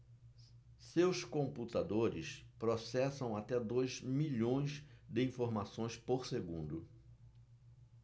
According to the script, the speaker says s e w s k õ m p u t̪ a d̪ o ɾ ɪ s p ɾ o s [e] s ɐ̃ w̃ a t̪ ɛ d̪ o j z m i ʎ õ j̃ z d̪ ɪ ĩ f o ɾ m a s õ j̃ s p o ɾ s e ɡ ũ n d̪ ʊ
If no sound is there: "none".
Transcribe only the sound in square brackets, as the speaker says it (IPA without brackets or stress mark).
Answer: ɛ